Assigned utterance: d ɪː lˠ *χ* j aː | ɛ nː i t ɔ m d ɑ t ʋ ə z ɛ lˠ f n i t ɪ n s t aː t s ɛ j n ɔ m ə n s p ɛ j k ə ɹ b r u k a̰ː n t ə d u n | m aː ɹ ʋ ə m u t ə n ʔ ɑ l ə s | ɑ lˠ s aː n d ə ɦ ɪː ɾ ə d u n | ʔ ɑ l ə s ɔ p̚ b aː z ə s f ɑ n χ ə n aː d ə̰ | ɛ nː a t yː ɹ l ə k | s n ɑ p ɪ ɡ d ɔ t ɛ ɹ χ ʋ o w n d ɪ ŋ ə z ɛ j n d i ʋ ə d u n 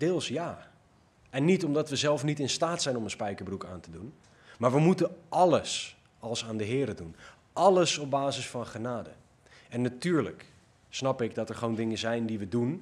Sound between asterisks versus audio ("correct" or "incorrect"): incorrect